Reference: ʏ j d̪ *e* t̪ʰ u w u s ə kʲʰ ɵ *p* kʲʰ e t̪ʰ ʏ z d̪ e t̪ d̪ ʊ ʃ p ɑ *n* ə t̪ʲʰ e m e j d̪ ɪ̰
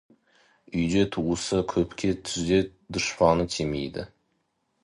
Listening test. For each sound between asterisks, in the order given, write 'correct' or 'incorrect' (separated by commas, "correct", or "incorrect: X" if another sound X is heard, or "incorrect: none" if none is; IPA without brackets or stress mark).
correct, correct, correct